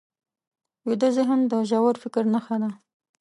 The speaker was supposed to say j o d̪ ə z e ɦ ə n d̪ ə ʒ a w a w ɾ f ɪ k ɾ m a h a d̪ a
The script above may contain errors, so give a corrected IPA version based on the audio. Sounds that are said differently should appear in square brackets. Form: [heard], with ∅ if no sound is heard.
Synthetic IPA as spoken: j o d̪ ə z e ɦ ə n d̪ ə ʒ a w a [∅] ɾ f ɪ k ɾ [n] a [x] a d̪ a